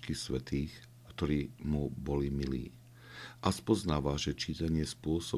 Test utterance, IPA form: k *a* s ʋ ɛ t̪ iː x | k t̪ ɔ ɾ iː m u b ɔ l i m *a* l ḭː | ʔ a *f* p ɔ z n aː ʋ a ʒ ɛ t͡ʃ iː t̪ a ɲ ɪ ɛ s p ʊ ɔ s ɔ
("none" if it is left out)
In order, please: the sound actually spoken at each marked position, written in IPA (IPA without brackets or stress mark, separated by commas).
i, i, s